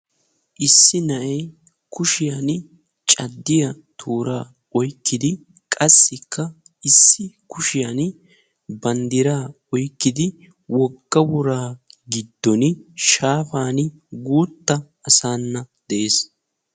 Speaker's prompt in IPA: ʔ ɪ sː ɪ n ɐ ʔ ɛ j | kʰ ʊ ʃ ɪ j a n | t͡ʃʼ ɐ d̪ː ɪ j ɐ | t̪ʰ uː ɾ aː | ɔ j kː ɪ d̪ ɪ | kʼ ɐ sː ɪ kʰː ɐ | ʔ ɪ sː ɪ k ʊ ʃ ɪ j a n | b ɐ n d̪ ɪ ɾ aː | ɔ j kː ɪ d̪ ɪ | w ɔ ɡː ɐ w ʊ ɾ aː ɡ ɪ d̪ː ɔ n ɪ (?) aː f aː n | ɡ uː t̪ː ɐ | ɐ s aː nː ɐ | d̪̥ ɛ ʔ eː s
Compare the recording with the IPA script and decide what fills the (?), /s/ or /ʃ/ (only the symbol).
ʃ